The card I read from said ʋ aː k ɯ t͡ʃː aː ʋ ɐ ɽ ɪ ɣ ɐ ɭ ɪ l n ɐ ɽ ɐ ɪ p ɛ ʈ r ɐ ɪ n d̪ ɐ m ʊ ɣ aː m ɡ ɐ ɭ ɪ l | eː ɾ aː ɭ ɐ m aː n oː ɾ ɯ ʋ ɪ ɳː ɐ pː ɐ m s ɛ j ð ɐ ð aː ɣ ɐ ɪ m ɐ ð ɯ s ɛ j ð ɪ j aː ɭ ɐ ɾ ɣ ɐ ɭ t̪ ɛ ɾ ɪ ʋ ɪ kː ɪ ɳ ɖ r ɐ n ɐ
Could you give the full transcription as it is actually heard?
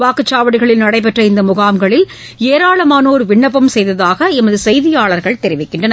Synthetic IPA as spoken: ʋ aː k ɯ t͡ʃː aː ʋ ɐ ɽ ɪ ɣ ɐ ɭ ɪ l n ɐ ɽ ɐ ɪ p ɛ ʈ r ɐ ɪ n d̪ ɐ m ʊ ɣ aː m ɡ ɐ ɭ ɪ l | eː ɾ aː ɭ ɐ m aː n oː ɾ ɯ ʋ ɪ ɳː ɐ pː ɐ m s ɛ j ð ɐ ð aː ɣ ɐ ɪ m ɐ ð ɯ s ɛ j ð ɪ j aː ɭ ɐ ɾ ɣ ɐ ɭ t̪ ɛ ɾ ɪ ʋ ɪ kː ɪ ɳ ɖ r ɐ n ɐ